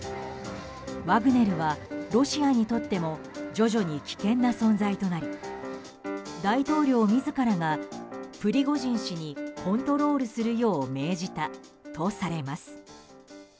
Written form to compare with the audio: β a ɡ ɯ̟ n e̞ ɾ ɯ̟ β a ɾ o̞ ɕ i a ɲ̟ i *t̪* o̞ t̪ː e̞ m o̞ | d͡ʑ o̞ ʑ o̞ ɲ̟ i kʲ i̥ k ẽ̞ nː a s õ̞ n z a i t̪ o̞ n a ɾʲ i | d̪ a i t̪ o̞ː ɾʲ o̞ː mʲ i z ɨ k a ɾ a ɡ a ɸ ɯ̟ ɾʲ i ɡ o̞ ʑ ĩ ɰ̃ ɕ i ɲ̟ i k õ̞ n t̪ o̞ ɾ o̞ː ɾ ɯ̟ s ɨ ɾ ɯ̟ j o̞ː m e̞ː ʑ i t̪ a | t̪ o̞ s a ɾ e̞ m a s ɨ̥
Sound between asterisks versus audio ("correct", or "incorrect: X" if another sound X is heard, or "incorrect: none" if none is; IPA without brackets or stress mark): correct